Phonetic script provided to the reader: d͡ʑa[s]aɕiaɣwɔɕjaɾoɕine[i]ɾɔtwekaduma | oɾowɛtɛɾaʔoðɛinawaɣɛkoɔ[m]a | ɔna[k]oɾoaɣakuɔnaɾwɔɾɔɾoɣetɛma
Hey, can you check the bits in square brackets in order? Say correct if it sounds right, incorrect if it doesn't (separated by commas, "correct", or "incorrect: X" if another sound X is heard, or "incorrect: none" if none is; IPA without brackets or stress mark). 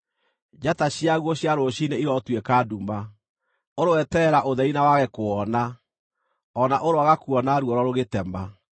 incorrect: t, correct, incorrect: n, incorrect: ʔ